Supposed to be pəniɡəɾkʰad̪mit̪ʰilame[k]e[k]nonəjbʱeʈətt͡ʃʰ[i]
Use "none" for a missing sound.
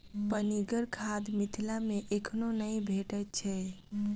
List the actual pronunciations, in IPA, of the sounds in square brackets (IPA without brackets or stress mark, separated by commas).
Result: ʔ, kʰ, ɛ